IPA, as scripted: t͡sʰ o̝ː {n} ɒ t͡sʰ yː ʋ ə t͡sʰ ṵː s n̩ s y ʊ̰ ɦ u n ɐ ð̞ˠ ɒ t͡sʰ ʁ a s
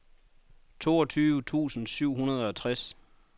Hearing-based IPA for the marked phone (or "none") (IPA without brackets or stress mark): none